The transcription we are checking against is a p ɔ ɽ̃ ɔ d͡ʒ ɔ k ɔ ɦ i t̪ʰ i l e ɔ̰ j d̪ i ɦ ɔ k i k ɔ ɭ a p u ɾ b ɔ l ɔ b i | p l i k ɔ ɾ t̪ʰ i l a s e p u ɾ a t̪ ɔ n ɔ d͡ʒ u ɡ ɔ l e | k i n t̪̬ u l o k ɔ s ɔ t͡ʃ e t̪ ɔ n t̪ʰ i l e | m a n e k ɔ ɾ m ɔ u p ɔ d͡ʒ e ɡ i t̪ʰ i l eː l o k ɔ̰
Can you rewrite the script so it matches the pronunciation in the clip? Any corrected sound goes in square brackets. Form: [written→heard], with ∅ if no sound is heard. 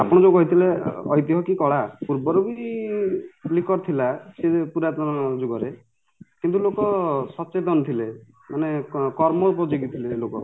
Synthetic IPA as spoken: a p ɔ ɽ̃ ɔ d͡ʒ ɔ k ɔ ɦ i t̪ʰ i l e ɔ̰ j [d̪→t̪] i ɦ ɔ k i k ɔ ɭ a p u ɾ b ɔ [l→ɾ] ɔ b i | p l i k ɔ ɾ t̪ʰ i l a s e p u ɾ a t̪ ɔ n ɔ d͡ʒ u ɡ ɔ [l→ɾ] e | k i n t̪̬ u l o k ɔ s ɔ t͡ʃ e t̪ ɔ n t̪ʰ i l e | m a n e k ɔ ɾ m ɔ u p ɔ d͡ʒ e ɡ i t̪ʰ i l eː l o k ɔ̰